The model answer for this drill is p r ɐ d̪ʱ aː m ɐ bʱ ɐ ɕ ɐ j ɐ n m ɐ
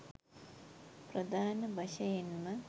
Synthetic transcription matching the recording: p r ɐ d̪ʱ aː n ɐ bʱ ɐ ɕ ɐ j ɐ n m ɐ

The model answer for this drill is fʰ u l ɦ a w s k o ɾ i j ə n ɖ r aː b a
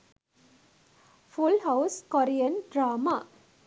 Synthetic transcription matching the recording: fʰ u l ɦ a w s k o ɾ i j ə n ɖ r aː m a

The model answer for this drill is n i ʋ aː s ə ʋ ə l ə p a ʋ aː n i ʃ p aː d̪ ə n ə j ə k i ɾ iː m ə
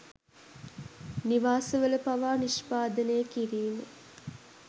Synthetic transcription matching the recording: n i ʋ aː s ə ʋ ə l ə p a ʋ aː n i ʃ p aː d̪ ə n ə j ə k i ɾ iː m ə

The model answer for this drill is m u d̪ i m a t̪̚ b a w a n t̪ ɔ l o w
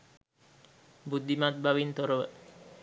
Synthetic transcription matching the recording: b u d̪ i m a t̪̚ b a w i n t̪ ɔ ɾ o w

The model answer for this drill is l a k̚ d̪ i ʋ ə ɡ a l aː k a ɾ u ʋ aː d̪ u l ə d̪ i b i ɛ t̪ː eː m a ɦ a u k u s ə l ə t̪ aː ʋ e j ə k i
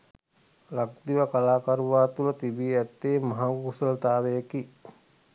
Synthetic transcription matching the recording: l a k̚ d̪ i ʋ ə k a l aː k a ɾ u ʋ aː t̪ u l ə t̪ i b i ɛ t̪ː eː m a ɦ a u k u s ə l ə t̪ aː ʋ e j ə k i

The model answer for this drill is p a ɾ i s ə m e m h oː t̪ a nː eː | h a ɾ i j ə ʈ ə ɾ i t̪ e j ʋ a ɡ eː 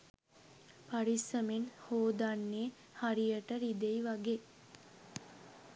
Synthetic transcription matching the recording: p a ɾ i s ə m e n h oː d̪ a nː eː | h a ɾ i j ə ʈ ə ɾ i d̪ e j ʋ a ɡ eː

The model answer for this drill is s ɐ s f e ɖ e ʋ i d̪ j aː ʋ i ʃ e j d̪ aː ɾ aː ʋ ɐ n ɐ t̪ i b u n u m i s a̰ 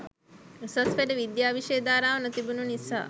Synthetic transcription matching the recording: s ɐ s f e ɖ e ʋ i d̪ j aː ʋ i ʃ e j d̪ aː ɾ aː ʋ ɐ n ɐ t̪ i b u n u n i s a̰

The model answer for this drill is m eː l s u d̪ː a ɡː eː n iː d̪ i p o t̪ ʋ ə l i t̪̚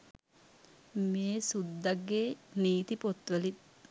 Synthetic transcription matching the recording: m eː s u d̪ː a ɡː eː n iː t̪ i p o t̪ ʋ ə l i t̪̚

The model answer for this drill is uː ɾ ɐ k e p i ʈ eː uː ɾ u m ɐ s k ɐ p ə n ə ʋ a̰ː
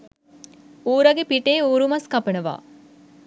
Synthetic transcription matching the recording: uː ɾ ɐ ɡ e p i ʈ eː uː ɾ u m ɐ s k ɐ p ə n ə ʋ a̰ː

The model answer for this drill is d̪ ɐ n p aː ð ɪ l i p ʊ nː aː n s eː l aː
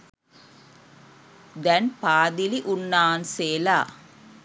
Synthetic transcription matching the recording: d̪ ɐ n p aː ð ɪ l i ʔ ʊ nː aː n s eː l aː

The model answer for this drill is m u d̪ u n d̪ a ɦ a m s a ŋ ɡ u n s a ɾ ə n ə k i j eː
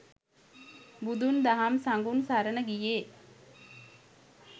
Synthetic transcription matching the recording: b u d̪ u n d̪ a ɦ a m s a ŋ ɡ u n s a ɾ ə n ə ɡ i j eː

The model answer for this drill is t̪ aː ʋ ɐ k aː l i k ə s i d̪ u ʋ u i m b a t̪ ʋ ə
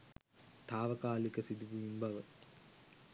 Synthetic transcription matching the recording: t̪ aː ʋ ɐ k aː l i k ə s i d̪ u ʋ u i m b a ʋ ə

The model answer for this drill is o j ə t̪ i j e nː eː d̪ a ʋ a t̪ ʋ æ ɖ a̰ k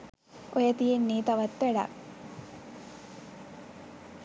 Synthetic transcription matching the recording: o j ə t̪ i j e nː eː t̪ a ʋ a t̪ ʋ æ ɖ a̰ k

